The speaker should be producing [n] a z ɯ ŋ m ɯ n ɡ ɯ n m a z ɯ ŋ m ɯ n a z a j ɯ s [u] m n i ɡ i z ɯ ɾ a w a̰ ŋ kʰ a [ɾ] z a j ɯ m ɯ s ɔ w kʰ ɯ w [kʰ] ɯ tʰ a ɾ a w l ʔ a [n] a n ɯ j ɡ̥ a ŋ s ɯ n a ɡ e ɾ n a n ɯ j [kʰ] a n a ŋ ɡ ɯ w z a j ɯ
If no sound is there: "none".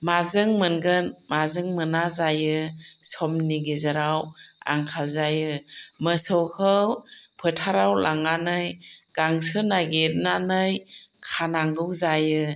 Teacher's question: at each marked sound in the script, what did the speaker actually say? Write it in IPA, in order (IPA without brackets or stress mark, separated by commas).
m, ɔ, l, pʰ, ŋ, kʰ